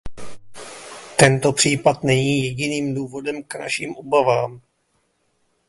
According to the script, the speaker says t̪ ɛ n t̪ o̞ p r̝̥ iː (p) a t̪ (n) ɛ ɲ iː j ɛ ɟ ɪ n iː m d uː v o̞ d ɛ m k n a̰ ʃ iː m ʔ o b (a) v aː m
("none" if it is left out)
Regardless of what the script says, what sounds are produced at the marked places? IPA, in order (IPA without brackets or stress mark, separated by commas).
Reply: p, n, a